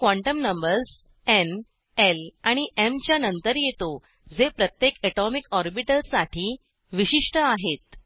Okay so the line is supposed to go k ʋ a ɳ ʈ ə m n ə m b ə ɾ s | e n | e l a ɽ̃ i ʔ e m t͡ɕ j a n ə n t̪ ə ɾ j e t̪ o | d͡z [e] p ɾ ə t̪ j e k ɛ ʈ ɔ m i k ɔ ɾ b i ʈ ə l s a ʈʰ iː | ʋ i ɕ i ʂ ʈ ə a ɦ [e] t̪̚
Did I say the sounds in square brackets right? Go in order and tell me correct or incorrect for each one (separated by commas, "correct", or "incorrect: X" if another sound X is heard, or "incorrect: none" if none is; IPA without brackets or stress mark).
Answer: correct, correct